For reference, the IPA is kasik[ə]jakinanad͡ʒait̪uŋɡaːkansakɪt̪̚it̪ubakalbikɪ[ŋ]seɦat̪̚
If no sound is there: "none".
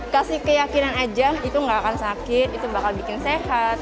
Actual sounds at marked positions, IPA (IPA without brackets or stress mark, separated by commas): ə, n